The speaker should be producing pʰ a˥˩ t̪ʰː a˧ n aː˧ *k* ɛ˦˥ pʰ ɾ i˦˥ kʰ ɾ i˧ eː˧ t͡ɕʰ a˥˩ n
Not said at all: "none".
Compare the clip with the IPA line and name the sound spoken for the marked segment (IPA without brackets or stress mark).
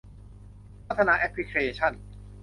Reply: ʔ